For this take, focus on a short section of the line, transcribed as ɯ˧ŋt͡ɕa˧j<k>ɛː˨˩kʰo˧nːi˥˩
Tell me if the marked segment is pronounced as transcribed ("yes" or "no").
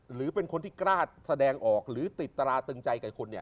yes